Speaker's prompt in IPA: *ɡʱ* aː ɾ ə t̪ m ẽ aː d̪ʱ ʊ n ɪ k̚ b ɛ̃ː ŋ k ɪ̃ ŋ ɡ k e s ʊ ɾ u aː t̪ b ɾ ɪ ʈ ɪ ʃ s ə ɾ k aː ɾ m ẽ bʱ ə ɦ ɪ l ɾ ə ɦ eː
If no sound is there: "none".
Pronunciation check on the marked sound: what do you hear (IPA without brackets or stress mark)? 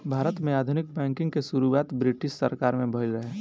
bʱ